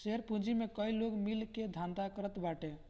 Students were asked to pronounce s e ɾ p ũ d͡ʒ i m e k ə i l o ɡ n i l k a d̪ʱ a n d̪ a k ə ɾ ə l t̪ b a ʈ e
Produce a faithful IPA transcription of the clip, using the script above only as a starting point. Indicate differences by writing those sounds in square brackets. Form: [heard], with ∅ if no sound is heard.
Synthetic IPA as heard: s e ɾ p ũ d͡ʒ i m e k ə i l o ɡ [m] i l k [e] d̪ʱ a n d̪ a k ə ɾ ə [∅] t̪ b a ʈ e